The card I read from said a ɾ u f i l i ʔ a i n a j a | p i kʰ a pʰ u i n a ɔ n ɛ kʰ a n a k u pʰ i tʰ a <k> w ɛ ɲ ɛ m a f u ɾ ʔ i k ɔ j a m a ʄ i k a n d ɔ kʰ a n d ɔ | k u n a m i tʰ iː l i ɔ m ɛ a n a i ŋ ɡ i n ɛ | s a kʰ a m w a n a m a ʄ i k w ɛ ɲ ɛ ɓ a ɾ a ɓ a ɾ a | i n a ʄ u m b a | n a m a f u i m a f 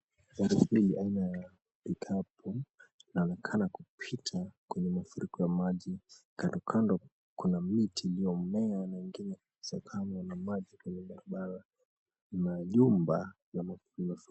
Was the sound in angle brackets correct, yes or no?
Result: yes